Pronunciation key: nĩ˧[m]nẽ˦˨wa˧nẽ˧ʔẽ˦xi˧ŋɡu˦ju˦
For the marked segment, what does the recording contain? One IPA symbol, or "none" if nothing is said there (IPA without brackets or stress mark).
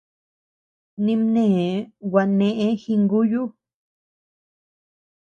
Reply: m